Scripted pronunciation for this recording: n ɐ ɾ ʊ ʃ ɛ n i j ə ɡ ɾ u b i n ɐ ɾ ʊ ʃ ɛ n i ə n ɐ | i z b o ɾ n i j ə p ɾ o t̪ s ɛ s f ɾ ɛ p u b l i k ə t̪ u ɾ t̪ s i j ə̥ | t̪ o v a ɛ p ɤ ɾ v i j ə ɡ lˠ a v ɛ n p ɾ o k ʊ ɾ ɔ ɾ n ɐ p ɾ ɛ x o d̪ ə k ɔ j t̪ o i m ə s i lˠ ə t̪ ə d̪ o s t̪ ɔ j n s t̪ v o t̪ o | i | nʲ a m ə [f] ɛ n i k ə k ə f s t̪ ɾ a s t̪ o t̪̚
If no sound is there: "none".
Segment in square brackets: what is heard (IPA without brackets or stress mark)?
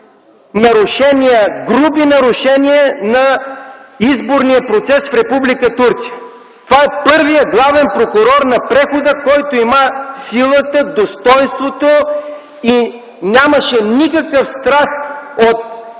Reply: ʃ